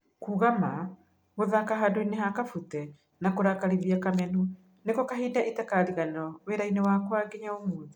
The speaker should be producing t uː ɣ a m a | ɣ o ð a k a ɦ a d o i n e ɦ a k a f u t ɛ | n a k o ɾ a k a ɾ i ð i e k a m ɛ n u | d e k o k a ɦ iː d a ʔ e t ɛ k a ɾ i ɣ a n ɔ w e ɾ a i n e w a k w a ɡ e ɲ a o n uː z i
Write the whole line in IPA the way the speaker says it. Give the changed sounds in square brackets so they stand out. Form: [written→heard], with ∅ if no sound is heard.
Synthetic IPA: [t→k] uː ɣ a m a | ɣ o ð a k a ɦ a d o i n e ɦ a k a f u t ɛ | n a k o ɾ a k a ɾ i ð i [e→a] k a m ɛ n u | [d→n] e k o k a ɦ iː d a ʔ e t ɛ k a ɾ i ɣ a n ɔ w e ɾ a i n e w a k w a ɡ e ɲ a o [n→m] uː [z→ð] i